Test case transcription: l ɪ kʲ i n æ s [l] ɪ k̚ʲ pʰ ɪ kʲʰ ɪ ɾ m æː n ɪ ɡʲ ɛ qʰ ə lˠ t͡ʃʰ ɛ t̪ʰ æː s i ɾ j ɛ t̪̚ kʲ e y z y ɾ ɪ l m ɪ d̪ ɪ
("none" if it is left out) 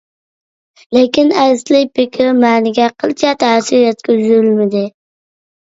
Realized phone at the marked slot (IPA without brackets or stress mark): l